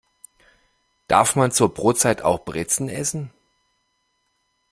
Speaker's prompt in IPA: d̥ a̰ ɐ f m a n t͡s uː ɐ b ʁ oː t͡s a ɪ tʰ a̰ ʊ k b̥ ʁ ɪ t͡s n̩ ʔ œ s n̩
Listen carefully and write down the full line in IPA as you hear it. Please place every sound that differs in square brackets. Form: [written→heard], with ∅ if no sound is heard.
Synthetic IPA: d̥ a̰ ɐ f m a n t͡s uː ɐ b ʁ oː t͡s a ɪ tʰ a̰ ʊ [k→x] b̥ ʁ ɪ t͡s n̩ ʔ [œ→ɛ] s n̩

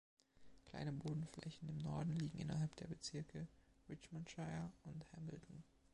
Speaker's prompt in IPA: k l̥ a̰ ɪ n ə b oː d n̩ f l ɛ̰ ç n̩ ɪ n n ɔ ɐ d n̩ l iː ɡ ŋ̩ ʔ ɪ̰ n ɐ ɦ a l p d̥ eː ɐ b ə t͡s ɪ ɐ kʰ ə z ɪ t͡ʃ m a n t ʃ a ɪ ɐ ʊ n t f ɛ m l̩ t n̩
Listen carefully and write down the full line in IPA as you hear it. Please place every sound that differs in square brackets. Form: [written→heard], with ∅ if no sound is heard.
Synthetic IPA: k l̥ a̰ ɪ n ə b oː d n̩ f l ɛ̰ ç n̩ ɪ [n→m] n ɔ ɐ d n̩ l iː ɡ ŋ̩ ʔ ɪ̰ n ɐ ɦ a l p d̥ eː ɐ b ə t͡s ɪ ɐ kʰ ə [z→ʁ] ɪ t͡ʃ m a n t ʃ a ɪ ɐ ʊ n t [f→h] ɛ m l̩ t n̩

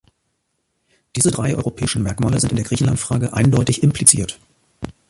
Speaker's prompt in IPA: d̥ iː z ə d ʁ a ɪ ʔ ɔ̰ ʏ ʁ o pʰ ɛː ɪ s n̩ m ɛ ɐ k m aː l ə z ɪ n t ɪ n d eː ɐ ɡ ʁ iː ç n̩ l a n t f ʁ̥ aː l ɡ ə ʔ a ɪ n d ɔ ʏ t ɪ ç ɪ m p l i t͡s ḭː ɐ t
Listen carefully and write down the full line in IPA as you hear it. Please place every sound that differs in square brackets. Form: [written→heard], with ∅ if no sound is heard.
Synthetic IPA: d̥ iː z ə d ʁ a ɪ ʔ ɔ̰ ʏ ʁ o pʰ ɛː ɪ [s→ʃ] n̩ m ɛ ɐ k m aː l ə z ɪ n t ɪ n d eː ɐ ɡ ʁ iː ç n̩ l a n t f ʁ̥ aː [l→∅] ɡ ə ʔ a ɪ n d ɔ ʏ t ɪ ç ɪ m p l i t͡s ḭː ɐ t

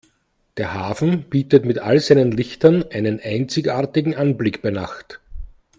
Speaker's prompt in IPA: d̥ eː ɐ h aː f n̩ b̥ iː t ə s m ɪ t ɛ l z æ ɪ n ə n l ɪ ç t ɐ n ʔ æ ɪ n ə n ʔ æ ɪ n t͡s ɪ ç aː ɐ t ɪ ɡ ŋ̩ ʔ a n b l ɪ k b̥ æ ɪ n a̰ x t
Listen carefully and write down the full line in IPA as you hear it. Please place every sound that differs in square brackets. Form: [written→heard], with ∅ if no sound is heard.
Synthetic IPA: d̥ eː ɐ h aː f n̩ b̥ iː t ə [s→t] m ɪ t [ɛ→a] l z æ ɪ n ə n l ɪ ç t ɐ n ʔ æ ɪ n ə n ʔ æ ɪ n t͡s ɪ ç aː ɐ t ɪ ɡ ŋ̩ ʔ a n b l ɪ k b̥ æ ɪ n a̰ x t

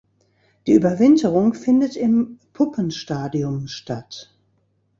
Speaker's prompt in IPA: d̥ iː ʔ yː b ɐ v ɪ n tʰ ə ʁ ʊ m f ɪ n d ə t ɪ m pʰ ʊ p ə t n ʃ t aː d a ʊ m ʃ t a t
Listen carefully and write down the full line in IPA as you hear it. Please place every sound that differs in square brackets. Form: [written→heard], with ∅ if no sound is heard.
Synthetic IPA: d̥ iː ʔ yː b ɐ v ɪ n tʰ ə ʁ ʊ [m→ŋ] f ɪ n d ə t ɪ m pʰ ʊ p ə [t→∅] n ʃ t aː d [a→i] ʊ m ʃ t a t

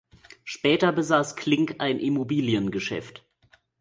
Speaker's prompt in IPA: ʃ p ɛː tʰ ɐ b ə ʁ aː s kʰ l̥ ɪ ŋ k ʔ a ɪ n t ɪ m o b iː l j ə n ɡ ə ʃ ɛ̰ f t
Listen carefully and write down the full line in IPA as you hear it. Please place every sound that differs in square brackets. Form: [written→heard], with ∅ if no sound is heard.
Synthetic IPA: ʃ p ɛː [tʰ→t] ɐ b ə [ʁ→z] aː s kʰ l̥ ɪ ŋ k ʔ a ɪ n [t→ʔ] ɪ m o b iː l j ə n ɡ ə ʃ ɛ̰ f t

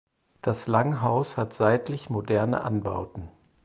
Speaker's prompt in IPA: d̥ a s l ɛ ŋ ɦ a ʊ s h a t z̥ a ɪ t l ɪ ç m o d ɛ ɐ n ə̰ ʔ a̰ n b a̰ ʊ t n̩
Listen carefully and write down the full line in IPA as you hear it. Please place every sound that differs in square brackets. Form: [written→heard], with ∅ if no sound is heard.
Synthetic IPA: d̥ a s l [ɛ→a] ŋ ɦ a ʊ s h a t z̥ a ɪ t l ɪ ç m o d ɛ ɐ n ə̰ ʔ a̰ n b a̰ ʊ t n̩

